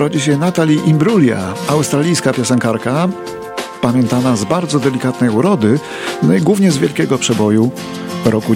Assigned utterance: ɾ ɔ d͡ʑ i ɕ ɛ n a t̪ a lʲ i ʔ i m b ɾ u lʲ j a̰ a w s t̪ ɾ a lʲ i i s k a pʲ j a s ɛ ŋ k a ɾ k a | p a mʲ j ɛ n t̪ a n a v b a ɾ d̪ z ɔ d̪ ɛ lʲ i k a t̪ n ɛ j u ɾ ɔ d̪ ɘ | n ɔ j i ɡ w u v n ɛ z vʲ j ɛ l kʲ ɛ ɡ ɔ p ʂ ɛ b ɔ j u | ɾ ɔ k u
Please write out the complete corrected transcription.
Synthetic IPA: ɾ ɔ d͡ʑ i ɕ ɛ n a t̪ a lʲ i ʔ i m b ɾ u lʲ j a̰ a w s t̪ ɾ a lʲ i j s k a pʲ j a s ɛ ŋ k a ɾ k a | p a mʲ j ɛ n t̪ a n a z b a ɾ d̪ z ɔ d̪ ɛ lʲ i k a t̪ n ɛ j u ɾ ɔ d̪ ɘ | n ɔ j i ɡ w u v ɲ ɛ z vʲ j ɛ l kʲ ɛ ɡ ɔ p ʂ ɛ b ɔ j u | ɾ ɔ k u